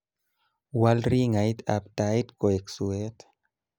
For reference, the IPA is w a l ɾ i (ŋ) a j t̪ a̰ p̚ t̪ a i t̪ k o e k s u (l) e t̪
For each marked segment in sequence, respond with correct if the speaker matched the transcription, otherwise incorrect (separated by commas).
correct, incorrect